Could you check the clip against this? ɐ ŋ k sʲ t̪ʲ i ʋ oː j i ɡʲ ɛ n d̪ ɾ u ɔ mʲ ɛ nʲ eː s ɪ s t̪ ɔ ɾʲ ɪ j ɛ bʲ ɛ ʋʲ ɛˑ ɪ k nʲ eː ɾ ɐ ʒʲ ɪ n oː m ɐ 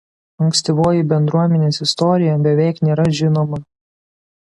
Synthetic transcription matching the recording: ɐ ŋ k sʲ t̪ʲ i ʋ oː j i bʲ ɛ n d̪ ɾ u ɔ mʲ ɛ nʲ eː s ɪ s t̪ ɔ ɾʲ ɪ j ɛ bʲ ɛ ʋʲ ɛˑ ɪ k nʲ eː ɾ ɐ ʒʲ ɪ n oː m ɐ